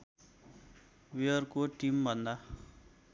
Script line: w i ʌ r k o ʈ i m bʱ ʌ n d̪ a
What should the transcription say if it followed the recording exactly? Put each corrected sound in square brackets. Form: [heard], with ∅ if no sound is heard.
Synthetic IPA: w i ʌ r k o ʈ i m bʱ ʌ n d̪ a